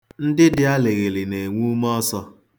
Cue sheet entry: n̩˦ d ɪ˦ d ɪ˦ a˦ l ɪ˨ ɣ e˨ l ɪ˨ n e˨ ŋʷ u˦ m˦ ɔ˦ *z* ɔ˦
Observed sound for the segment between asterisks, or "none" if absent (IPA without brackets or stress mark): s